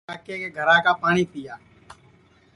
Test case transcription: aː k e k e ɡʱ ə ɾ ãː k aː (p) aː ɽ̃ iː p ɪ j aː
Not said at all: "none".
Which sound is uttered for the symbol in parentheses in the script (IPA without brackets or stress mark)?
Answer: p